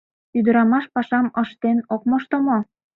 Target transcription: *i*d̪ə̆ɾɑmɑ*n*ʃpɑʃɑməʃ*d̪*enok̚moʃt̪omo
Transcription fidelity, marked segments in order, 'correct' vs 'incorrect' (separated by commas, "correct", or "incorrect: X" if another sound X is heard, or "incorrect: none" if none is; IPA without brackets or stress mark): incorrect: y, incorrect: none, incorrect: t̪